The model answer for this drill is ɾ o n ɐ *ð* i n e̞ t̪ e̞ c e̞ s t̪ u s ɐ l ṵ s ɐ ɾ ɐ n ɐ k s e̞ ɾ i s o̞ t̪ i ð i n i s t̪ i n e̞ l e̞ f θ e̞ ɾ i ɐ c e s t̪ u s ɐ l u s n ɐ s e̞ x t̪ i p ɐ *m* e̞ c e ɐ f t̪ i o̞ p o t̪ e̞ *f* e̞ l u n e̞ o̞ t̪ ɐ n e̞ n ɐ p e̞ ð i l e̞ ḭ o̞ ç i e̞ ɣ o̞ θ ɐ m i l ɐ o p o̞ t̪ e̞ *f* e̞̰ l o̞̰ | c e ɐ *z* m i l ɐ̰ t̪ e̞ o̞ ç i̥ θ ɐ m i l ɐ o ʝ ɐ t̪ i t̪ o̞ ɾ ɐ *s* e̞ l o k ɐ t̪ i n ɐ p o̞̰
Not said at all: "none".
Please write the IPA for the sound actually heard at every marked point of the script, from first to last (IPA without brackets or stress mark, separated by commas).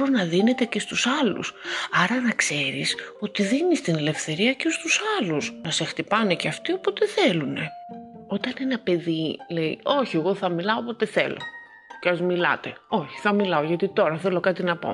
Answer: ð, n, θ, θ, z, θ